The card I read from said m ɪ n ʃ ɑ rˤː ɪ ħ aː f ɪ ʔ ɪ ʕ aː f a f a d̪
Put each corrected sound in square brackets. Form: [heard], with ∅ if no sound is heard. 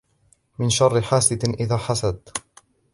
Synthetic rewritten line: m ɪ n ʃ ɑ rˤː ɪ ħ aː [s] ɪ ʔ ɪ [ð] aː [ħ] a [s] a d̪